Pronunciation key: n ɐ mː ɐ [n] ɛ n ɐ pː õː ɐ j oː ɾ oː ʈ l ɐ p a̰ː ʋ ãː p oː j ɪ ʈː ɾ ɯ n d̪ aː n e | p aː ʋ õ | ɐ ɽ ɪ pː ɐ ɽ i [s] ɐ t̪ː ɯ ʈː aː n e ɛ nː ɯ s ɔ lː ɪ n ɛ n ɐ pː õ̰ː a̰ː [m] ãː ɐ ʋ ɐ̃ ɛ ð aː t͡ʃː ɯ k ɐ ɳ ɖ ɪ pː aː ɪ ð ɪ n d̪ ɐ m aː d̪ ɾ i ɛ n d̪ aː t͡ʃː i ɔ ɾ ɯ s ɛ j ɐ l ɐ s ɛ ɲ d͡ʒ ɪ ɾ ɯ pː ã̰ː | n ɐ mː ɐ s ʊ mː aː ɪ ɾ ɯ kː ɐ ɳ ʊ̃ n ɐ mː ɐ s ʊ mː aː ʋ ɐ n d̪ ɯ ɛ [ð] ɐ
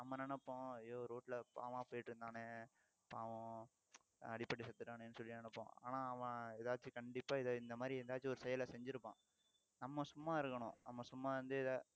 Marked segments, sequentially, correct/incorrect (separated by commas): correct, correct, incorrect, correct